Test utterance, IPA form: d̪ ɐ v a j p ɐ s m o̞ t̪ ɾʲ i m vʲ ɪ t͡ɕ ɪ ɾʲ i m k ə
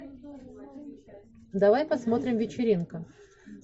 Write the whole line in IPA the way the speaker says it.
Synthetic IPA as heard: d̪ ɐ v a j p ɐ s m o̞ t̪ ɾʲ ɪ m vʲ ɪ t͡ɕ ɪ ɾʲ i n k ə